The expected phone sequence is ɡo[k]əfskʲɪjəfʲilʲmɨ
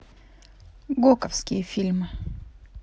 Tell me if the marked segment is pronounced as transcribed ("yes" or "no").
yes